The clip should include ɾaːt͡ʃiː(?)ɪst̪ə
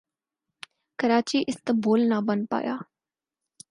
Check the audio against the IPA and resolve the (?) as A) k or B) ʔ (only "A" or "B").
B